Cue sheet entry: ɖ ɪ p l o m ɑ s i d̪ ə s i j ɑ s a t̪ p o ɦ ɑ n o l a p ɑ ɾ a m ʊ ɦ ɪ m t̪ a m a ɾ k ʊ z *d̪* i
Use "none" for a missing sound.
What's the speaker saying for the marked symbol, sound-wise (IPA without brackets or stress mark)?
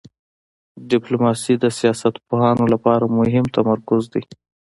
d̪